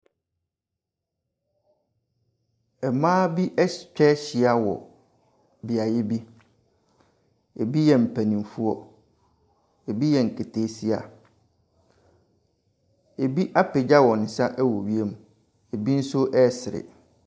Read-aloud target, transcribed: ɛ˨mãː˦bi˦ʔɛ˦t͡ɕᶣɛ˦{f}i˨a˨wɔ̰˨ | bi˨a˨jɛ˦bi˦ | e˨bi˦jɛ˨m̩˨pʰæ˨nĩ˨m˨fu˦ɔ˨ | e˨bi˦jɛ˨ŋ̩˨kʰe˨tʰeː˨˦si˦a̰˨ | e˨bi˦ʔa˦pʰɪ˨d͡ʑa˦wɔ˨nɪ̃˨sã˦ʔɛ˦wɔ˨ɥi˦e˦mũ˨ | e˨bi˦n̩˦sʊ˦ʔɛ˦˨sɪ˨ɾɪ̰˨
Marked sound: incorrect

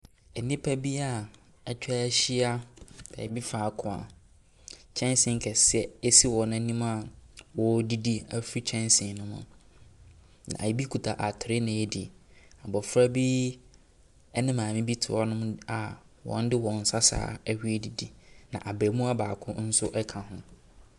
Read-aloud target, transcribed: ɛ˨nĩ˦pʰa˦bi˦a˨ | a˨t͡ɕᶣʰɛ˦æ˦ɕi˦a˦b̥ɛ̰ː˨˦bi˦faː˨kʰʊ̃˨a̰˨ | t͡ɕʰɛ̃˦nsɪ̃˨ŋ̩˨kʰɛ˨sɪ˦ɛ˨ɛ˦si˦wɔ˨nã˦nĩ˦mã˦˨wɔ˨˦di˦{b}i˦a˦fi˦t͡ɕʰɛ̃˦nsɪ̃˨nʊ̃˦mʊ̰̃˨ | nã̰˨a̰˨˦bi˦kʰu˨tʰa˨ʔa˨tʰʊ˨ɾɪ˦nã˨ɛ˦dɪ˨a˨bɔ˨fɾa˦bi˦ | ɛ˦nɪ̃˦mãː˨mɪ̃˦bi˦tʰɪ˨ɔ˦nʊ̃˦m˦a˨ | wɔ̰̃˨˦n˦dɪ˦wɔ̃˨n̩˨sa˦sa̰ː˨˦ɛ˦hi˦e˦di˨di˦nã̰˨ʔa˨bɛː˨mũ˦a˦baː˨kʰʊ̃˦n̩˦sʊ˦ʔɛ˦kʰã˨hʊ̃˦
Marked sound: incorrect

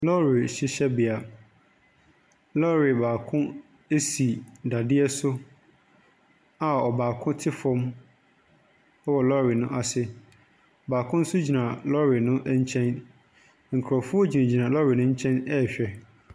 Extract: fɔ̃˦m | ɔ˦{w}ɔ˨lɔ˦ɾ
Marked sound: correct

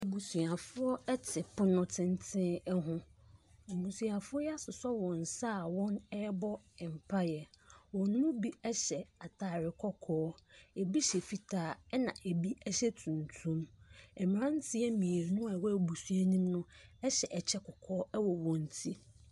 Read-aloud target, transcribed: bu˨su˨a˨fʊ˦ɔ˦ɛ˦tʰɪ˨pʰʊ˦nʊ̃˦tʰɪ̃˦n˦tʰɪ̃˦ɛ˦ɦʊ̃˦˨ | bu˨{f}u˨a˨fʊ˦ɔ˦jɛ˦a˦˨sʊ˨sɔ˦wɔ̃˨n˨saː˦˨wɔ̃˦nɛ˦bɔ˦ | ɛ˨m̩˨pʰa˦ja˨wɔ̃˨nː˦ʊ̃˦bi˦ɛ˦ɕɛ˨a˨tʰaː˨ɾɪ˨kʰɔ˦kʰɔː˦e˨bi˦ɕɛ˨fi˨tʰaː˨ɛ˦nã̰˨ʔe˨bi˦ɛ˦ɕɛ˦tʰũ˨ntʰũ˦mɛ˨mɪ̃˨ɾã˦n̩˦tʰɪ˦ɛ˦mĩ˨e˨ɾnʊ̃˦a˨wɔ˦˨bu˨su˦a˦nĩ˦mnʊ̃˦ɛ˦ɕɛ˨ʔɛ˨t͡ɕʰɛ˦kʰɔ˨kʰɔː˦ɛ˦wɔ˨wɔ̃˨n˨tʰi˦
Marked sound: incorrect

